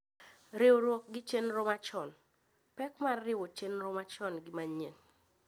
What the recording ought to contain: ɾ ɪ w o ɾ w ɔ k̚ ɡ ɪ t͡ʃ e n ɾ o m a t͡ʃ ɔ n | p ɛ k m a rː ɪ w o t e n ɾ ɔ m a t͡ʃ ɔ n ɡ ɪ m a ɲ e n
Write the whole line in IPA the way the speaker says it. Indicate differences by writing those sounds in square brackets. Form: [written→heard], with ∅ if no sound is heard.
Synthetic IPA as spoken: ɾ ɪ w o ɾ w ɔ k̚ ɡ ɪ t͡ʃ e n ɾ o m a t͡ʃ ɔ n | p ɛ k m a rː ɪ w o [t→t͡ʃ] e n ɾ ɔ m a t͡ʃ ɔ n ɡ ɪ m a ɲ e n

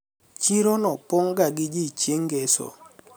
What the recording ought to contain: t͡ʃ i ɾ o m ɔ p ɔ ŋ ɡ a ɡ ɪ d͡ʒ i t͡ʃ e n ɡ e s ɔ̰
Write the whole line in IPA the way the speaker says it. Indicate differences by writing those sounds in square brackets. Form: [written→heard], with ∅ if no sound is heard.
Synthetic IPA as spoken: t͡ʃ i ɾ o [m→n] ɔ p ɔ ŋ ɡ a ɡ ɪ d͡ʒ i t͡ʃ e [n→ŋ] ɡ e s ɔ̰

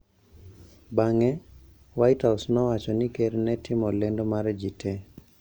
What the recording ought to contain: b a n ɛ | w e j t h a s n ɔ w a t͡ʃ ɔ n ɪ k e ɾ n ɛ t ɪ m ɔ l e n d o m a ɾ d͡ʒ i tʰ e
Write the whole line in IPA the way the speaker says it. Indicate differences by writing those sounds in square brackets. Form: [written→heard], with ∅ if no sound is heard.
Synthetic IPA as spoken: b a [n→ŋ] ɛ | w [e→a] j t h a s n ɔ w a t͡ʃ ɔ n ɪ k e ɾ n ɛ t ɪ m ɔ l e n d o m a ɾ d͡ʒ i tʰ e

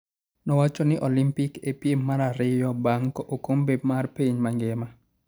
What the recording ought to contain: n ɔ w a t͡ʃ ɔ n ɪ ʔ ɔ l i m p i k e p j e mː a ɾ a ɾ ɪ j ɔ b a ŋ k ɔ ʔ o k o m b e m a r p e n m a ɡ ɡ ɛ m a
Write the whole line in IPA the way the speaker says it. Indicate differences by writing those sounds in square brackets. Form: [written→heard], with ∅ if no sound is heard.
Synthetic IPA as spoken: n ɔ w a t͡ʃ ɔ n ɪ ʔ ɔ l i m p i k e p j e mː a ɾ a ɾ ɪ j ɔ b a ŋ k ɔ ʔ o k o m b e m a r p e [n→ɲ] m a [ɡ→ŋ] ɡ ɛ m a

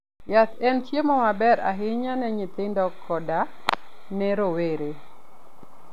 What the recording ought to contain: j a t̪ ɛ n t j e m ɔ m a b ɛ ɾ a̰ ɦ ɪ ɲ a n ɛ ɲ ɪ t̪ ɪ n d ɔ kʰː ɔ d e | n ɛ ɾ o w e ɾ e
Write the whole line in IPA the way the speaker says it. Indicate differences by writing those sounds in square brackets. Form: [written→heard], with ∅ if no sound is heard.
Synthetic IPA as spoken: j a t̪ ɛ n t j e m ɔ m a b ɛ ɾ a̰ ɦ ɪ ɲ a n ɛ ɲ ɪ t̪ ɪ n d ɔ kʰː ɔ d [e→a] | n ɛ ɾ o w e ɾ e

